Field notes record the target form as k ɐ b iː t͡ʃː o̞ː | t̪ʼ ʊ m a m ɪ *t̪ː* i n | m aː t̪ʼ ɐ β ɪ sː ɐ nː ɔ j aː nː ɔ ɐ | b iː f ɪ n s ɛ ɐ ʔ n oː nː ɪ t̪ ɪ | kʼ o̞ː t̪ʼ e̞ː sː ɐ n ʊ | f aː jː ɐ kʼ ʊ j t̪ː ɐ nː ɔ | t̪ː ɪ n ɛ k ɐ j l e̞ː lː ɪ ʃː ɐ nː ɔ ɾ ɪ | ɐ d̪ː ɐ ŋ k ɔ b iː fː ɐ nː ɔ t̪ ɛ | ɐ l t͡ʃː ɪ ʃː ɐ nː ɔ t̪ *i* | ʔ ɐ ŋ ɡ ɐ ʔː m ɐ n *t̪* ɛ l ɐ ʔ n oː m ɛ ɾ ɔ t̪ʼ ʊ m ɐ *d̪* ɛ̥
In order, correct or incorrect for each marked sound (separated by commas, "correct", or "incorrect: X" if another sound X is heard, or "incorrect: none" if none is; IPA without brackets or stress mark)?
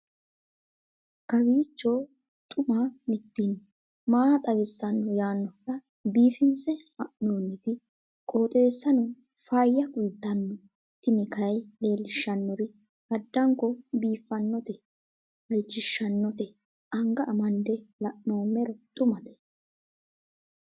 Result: correct, incorrect: ɛ, incorrect: d̪, incorrect: t̪